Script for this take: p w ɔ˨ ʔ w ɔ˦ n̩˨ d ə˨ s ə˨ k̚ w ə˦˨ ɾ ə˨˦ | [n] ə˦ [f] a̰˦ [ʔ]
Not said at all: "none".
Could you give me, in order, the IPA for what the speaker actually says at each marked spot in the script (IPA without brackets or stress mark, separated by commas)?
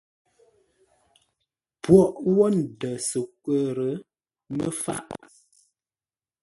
m, f, ʔ